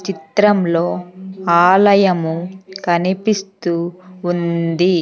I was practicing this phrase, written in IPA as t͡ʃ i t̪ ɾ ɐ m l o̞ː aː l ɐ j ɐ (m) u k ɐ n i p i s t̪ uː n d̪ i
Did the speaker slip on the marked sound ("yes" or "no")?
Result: no